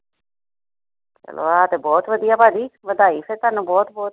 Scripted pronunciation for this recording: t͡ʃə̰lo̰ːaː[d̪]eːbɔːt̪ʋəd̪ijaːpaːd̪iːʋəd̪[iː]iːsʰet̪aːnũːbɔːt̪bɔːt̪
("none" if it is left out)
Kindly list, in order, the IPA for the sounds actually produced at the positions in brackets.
t̪, aː

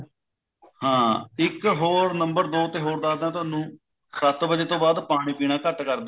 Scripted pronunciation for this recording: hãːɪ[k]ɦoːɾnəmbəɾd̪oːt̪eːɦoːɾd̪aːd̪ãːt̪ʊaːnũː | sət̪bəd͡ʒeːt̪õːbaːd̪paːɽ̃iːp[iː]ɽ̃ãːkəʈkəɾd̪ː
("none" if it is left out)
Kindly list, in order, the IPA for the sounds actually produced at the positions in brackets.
k, iː

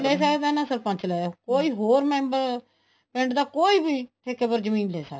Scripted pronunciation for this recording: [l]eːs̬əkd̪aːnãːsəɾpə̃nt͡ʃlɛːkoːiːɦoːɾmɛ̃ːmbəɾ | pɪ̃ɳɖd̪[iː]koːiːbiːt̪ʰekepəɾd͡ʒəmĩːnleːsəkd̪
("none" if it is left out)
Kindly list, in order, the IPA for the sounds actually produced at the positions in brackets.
l, aː

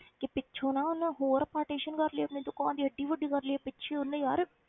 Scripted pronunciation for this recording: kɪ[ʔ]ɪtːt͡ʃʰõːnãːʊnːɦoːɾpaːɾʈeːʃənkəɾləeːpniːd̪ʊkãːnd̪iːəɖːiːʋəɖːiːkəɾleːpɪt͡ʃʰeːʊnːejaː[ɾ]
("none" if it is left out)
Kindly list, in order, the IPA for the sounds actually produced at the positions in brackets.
p, ɾ

